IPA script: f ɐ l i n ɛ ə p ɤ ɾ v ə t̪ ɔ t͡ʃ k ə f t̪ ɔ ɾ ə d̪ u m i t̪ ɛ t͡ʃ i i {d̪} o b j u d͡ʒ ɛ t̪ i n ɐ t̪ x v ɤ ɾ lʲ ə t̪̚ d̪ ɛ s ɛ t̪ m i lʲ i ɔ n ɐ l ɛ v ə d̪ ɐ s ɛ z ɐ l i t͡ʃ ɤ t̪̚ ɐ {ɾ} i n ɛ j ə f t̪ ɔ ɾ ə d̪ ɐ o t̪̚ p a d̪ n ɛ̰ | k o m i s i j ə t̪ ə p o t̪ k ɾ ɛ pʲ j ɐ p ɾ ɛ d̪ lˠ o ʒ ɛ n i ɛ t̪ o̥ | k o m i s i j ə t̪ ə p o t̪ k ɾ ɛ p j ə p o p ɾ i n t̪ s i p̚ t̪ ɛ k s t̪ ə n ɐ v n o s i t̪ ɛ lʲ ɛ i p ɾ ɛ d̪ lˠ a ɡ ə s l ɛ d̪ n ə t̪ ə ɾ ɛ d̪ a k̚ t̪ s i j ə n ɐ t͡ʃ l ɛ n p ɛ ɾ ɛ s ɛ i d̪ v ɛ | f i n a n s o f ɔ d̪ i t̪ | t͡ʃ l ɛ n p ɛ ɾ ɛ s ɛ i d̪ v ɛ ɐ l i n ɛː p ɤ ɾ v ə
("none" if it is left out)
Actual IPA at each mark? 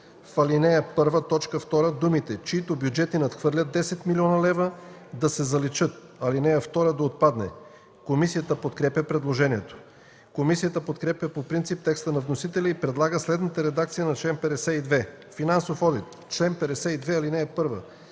t̪, l

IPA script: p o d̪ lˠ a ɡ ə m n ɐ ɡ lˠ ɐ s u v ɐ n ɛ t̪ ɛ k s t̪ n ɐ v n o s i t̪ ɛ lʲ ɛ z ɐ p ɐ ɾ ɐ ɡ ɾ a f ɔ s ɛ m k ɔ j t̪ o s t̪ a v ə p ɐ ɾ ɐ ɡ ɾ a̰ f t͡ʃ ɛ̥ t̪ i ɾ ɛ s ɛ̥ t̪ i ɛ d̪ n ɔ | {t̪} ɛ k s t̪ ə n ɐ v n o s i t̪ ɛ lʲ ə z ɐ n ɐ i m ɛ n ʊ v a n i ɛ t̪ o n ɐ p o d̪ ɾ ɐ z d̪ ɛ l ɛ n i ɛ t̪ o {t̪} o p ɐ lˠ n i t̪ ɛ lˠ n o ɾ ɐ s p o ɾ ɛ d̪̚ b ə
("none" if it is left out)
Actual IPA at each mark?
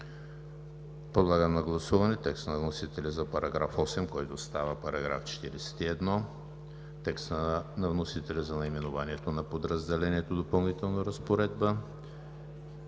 t̪, d̪

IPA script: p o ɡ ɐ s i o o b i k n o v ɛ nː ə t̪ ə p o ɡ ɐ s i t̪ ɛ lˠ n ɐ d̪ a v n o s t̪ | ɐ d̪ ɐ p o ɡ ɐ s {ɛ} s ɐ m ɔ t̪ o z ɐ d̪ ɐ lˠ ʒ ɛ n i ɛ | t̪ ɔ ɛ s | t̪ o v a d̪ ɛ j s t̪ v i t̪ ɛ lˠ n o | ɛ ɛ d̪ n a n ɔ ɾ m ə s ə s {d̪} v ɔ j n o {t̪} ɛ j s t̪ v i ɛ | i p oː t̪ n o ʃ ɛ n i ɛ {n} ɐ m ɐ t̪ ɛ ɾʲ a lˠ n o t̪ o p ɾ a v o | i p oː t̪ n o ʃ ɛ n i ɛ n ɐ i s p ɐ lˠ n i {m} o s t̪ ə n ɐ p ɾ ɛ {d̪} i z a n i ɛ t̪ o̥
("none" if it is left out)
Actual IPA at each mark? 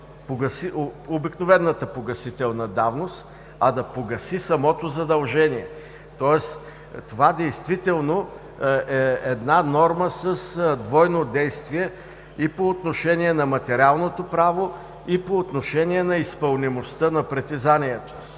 i, d̪, d̪, n, m, t̪

